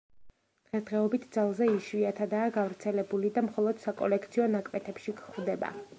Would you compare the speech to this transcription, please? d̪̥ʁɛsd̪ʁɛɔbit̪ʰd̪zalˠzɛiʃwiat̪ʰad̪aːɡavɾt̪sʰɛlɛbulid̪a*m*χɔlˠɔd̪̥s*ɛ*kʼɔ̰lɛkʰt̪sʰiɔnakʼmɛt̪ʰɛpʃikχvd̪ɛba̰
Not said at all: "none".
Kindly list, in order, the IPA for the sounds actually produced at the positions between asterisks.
m, a

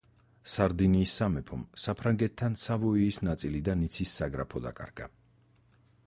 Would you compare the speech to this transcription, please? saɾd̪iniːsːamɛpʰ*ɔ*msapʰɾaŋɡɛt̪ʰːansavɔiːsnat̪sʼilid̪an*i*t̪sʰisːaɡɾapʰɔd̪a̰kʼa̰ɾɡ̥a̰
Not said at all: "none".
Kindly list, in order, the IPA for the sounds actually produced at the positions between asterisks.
ɔ, i

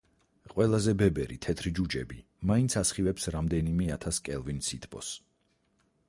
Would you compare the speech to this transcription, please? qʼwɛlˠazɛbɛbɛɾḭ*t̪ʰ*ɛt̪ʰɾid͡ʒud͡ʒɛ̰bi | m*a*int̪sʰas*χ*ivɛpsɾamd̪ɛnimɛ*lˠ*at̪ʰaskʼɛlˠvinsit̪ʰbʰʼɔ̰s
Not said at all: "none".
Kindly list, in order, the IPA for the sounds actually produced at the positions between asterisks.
t̪ʰ, a, χ, none

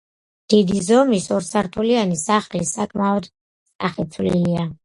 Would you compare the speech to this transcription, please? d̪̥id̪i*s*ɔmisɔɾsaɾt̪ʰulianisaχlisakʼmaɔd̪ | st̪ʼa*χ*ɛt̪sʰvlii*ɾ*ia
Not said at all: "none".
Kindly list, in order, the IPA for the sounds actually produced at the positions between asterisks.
z, χ, l

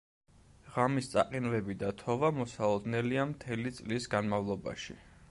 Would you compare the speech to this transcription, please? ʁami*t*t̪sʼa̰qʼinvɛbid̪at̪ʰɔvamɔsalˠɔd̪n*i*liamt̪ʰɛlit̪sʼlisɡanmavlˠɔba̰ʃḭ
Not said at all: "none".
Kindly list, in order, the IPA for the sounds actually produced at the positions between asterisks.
s, ɛ

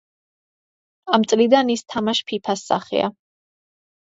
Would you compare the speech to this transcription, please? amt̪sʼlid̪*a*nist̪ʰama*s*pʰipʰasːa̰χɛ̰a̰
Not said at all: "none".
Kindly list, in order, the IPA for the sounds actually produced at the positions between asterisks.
a, ʃ

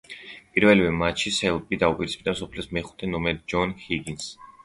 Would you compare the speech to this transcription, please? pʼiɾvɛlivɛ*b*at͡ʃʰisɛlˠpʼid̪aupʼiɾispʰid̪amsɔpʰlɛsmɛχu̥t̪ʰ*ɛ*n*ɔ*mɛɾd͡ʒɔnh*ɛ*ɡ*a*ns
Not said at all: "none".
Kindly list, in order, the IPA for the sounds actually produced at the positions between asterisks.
m, ɛ, ɔ, i, i

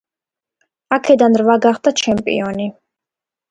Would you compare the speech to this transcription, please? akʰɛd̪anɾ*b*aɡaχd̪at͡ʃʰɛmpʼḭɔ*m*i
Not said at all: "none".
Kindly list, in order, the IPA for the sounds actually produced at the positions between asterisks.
v, n

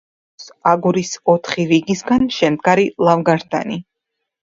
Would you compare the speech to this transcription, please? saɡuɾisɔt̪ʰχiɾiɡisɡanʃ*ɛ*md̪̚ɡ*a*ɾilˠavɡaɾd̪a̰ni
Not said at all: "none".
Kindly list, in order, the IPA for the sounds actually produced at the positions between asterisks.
ɛ, a

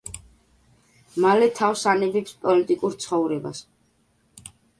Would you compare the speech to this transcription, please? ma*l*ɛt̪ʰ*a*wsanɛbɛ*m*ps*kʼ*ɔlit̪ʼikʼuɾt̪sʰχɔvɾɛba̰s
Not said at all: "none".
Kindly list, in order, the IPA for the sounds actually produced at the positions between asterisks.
l, a, none, pʼ

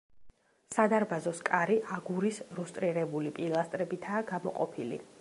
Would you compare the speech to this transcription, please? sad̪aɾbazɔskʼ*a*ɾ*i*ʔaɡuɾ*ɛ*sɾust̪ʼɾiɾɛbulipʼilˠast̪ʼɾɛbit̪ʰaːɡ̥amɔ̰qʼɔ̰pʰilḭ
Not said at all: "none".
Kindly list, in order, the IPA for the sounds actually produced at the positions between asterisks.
a, i, i

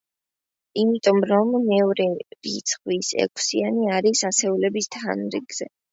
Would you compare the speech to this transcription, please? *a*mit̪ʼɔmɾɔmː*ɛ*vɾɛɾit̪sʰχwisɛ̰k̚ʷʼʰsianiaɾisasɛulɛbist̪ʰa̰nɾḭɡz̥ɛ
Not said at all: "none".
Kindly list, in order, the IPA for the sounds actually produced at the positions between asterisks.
i, ɛ

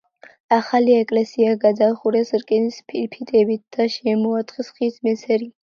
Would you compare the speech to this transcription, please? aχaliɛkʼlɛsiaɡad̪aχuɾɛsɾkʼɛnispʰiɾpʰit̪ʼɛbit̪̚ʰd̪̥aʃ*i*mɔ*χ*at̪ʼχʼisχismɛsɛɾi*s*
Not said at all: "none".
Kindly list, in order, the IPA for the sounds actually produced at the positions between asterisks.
ɛ, none, none

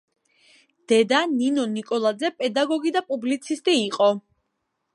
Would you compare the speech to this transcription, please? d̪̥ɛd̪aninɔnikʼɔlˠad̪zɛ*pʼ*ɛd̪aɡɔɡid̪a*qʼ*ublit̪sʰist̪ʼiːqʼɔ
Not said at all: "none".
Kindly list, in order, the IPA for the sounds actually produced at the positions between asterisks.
pʼ, pʼ

